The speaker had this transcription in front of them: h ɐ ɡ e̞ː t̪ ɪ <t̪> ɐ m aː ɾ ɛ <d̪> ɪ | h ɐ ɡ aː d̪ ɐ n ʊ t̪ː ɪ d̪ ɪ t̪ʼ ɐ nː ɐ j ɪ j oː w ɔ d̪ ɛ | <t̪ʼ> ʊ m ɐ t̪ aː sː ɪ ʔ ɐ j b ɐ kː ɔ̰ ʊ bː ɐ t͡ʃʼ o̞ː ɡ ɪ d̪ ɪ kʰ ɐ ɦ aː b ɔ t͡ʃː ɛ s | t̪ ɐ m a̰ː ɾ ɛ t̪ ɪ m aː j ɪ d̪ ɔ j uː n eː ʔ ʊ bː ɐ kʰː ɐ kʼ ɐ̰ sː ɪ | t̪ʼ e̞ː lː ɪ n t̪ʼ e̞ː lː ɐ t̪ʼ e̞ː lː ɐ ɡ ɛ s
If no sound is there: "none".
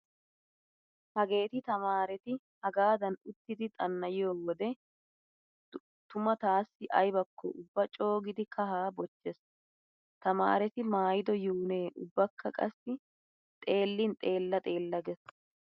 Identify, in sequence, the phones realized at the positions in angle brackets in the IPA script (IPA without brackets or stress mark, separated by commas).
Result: t̪, t̪, t̪